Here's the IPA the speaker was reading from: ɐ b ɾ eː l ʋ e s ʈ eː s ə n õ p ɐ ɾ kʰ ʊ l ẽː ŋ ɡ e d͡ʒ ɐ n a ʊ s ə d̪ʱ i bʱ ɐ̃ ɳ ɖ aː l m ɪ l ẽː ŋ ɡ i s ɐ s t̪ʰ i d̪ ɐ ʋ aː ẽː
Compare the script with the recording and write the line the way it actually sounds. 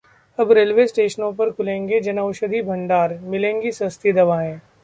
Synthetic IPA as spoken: ɐ b ɾ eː l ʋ e s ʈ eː ʃ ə n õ p ɐ ɾ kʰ ʊ l ẽː ŋ ɡ e d͡ʒ ɐ n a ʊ ʃ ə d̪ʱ i bʱ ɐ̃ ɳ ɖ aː ɾ m ɪ l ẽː ŋ ɡ i s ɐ s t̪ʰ i d̪ ɐ ʋ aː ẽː